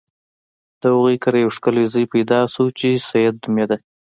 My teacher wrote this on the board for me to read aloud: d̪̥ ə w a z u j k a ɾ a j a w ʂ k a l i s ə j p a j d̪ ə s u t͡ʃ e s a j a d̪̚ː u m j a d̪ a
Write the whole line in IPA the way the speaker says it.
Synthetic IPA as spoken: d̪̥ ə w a ɣ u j k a ɾ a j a w ʂ k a l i z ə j p a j d̪ ɑ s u t͡ʃ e s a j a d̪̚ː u m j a d̪ a